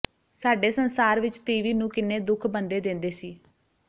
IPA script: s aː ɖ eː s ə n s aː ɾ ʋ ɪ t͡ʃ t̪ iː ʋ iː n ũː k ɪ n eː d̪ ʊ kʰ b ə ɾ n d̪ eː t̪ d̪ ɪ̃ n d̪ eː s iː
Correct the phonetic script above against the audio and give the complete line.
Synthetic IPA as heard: s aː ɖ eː s ə n s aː ɾ ʋ ɪ t͡ʃ t̪ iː ʋ iː n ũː k ɪ n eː d̪ ʊ kʰ b ə n d̪ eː d̪ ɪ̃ n d̪ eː s iː